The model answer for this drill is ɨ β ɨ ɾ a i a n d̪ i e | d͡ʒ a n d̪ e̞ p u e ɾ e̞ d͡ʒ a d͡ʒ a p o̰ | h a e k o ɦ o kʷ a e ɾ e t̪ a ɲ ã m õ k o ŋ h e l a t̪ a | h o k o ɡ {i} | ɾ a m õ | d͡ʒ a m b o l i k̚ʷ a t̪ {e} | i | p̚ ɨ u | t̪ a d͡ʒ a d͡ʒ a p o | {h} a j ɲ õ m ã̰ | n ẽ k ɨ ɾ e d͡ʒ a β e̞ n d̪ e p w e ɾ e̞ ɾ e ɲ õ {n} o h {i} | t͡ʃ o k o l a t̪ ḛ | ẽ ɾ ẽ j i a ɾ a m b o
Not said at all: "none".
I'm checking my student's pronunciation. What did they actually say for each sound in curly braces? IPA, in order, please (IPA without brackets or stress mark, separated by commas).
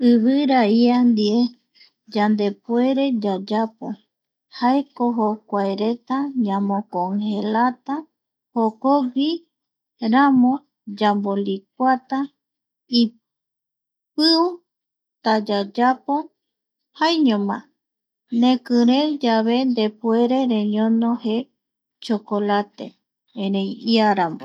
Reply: i, a, h, n, e